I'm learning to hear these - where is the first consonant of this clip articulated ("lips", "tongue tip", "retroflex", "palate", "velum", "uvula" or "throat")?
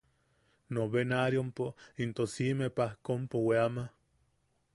tongue tip